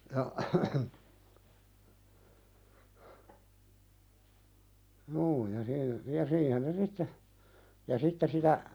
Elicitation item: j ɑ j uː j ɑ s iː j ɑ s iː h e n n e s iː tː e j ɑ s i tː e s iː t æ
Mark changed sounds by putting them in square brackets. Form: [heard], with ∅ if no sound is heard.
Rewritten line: j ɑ j uː j ɑ s iː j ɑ s iː h e n n e s [i] tː e j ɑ s i tː e s [i] t æ